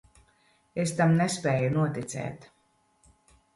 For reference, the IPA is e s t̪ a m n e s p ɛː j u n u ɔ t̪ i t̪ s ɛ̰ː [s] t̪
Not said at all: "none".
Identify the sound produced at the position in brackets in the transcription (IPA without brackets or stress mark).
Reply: none